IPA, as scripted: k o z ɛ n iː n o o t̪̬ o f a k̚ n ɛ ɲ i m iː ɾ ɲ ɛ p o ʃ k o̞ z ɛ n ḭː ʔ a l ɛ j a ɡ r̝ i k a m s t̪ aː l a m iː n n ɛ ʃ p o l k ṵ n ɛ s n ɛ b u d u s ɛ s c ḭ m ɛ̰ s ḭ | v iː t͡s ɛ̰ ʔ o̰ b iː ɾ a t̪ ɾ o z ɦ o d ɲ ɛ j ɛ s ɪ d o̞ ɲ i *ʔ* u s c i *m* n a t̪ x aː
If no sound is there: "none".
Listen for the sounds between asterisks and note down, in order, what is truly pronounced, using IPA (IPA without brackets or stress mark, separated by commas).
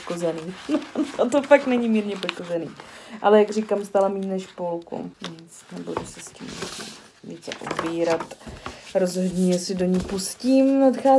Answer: p, m